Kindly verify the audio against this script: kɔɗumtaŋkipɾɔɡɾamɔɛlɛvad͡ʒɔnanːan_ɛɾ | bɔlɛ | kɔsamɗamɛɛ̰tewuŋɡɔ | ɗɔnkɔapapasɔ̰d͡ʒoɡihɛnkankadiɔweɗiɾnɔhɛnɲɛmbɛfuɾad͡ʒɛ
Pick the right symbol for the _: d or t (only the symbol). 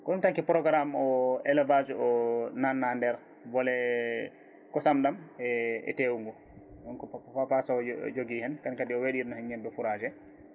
d